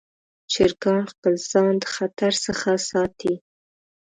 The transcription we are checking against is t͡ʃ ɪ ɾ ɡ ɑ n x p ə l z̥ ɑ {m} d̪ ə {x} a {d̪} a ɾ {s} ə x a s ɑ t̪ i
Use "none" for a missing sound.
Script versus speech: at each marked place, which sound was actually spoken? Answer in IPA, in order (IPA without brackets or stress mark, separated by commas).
n, x, t̪, s